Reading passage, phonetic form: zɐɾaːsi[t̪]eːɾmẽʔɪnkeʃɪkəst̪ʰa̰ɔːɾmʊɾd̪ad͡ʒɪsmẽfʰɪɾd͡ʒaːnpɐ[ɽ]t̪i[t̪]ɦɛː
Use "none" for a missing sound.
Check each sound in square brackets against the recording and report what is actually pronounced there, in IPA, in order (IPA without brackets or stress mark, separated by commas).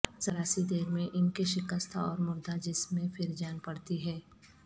d̪, ɽ, none